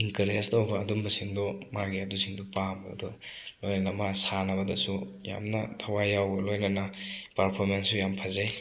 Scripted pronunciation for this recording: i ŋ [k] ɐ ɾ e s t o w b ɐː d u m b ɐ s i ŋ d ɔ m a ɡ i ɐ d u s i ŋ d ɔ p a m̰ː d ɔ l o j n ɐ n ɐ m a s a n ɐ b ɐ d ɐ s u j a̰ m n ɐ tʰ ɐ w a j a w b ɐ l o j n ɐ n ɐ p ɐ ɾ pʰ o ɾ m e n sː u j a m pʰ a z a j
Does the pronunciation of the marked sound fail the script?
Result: no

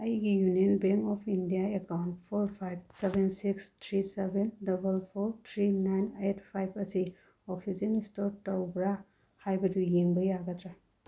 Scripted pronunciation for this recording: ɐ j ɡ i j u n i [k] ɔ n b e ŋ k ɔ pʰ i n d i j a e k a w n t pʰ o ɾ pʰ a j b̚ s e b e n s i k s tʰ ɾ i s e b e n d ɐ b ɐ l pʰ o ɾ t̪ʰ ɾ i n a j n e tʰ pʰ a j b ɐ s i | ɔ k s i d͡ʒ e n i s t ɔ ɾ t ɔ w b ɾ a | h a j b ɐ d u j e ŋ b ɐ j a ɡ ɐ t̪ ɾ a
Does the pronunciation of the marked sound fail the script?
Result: yes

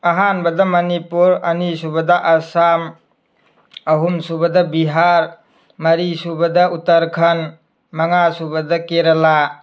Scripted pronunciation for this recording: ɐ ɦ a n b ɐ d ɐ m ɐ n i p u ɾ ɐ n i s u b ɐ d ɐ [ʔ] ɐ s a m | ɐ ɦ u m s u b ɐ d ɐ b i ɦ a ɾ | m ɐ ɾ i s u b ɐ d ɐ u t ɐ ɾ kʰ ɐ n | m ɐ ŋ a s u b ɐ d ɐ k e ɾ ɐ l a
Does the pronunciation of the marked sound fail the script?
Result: no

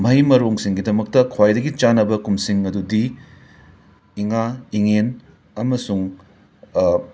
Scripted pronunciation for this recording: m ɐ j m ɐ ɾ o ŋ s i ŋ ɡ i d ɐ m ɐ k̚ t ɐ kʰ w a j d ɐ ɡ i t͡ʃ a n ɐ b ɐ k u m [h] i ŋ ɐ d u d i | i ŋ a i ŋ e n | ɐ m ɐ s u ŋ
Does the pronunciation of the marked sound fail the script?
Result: yes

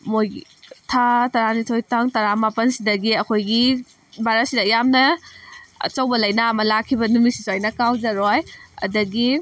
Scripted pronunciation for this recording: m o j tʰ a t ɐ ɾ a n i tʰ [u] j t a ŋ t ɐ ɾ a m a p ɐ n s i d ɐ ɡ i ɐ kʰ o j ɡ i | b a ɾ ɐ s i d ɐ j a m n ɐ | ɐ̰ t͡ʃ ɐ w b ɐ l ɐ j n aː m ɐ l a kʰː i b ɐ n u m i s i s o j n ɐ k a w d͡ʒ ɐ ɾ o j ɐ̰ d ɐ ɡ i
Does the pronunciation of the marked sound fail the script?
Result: yes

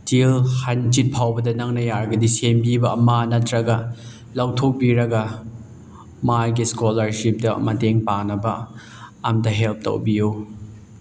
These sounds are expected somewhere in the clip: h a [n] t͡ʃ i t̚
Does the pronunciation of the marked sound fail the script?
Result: no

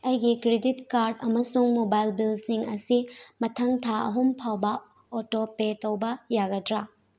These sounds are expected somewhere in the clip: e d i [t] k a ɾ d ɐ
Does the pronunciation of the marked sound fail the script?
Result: no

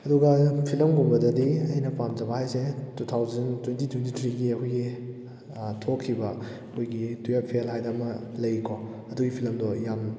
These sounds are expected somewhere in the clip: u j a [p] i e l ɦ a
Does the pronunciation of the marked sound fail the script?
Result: yes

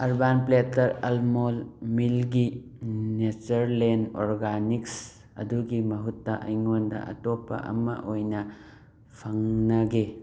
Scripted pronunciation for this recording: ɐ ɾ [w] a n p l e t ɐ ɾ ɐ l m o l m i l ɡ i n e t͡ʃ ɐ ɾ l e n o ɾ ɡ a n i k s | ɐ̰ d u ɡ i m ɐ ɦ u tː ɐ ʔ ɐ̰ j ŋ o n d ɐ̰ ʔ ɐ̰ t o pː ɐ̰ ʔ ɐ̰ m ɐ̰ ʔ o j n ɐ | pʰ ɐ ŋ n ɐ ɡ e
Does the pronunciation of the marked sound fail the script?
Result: yes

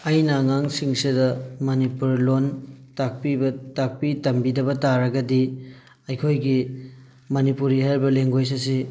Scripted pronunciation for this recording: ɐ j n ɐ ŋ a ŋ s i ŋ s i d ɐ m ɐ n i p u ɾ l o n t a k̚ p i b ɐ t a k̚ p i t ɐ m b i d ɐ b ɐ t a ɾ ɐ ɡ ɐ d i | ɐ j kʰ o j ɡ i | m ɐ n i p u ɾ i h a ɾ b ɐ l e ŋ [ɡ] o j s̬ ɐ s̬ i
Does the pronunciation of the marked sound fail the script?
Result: no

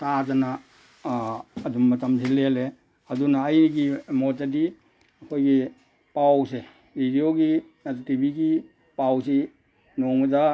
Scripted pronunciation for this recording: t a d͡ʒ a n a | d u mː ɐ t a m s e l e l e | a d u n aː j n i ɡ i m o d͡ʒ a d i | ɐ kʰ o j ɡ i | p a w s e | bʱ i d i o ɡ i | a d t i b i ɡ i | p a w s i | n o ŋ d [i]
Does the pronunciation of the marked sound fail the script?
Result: yes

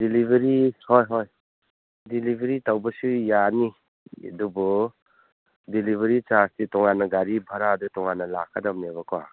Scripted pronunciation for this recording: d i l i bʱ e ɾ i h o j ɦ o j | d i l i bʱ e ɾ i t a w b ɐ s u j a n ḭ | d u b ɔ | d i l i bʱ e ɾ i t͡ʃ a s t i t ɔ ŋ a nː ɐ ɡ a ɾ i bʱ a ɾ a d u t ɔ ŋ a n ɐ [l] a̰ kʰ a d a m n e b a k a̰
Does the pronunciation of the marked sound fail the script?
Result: no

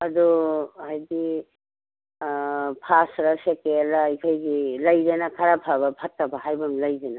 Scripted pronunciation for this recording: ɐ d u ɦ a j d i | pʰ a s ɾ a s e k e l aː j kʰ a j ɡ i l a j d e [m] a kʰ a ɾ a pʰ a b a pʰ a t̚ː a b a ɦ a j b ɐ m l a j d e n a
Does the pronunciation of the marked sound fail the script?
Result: yes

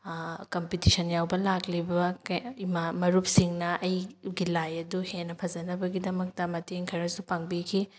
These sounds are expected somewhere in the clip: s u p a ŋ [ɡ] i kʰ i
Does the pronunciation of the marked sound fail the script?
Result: yes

